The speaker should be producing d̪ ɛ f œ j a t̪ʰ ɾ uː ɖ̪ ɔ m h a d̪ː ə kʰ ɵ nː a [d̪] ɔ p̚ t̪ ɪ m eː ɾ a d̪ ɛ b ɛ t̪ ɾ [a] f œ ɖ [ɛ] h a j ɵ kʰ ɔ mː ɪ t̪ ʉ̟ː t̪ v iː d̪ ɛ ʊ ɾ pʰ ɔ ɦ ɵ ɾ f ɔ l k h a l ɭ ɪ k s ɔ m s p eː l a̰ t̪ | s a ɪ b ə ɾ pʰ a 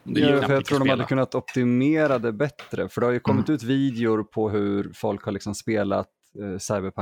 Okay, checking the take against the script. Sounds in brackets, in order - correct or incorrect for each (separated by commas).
incorrect, incorrect, correct